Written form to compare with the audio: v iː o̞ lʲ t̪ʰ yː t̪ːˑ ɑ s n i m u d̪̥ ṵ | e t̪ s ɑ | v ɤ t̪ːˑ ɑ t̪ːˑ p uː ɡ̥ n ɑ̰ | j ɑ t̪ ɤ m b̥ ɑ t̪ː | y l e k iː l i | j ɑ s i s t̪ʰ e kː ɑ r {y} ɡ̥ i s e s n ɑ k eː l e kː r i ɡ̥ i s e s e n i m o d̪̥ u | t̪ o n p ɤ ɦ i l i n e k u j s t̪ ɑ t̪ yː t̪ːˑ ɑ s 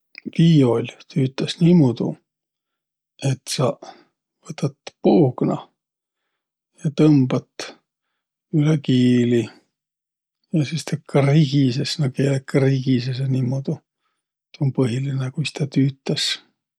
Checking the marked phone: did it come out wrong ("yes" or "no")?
yes